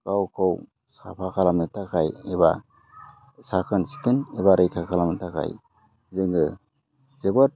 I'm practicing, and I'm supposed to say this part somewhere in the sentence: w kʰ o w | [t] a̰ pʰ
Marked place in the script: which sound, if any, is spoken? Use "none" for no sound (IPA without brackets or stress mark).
s